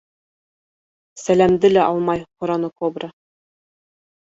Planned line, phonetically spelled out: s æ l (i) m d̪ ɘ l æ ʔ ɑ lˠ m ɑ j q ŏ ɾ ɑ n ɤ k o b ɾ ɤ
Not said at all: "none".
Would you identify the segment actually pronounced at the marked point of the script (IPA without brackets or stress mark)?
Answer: æ